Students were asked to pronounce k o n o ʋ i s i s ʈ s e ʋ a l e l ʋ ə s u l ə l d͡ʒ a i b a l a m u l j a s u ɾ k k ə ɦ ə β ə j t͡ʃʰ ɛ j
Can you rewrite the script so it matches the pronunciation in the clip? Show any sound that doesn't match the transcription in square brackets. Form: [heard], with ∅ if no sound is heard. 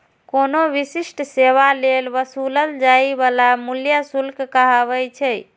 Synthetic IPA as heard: k o n o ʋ i s i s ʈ s e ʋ a l e l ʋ ə s u l ə l d͡ʒ a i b a l a m u l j a s u [l] k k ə ɦ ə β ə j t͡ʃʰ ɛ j